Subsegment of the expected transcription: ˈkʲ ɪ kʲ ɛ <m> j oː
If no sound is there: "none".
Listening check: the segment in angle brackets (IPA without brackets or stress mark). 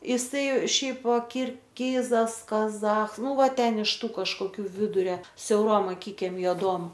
m